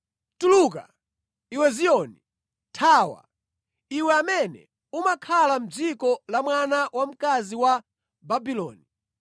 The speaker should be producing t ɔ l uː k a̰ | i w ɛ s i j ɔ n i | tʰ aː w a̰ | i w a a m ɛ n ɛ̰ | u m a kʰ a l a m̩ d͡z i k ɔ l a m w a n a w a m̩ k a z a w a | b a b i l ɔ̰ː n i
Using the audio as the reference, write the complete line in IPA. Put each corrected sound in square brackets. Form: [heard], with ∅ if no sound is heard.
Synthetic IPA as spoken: t [u] l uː k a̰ | i w ɛ [z] i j ɔ n i | tʰ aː w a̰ | i w [ɛ] a m ɛ n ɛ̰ | u m a kʰ a l a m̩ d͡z i k ɔ l a m w a n a w a m̩ k a z [i] w a | b a b i l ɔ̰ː n i